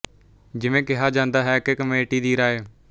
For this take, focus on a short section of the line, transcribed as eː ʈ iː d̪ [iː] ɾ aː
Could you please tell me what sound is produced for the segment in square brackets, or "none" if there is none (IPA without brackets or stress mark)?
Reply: iː